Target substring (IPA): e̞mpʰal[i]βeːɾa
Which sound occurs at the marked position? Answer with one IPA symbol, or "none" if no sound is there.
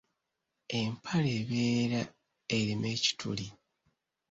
e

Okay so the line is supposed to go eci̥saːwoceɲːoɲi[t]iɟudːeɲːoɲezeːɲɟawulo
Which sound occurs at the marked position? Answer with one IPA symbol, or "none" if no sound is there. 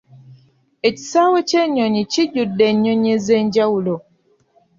c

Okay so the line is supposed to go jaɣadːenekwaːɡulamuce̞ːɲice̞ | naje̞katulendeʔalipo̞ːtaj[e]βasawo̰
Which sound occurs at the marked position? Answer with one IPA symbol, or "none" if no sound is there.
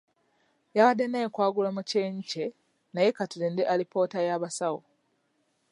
a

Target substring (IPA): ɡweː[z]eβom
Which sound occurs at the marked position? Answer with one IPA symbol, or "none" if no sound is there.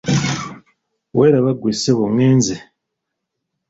s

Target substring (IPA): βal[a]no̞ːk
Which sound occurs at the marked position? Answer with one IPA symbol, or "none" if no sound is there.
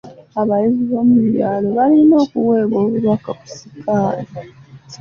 i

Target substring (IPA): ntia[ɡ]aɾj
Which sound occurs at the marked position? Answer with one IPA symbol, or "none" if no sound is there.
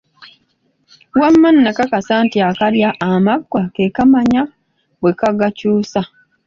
k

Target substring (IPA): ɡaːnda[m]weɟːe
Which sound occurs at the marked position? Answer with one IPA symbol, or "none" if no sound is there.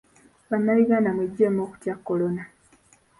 m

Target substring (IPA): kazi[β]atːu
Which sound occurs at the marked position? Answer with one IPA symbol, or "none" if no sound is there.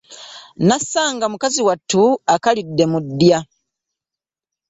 w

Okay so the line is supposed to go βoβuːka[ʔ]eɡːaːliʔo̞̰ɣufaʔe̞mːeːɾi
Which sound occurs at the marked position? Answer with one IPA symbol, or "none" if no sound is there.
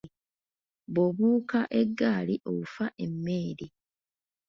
ʔ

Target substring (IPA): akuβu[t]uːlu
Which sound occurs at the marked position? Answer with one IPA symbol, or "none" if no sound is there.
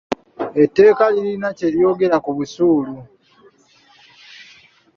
s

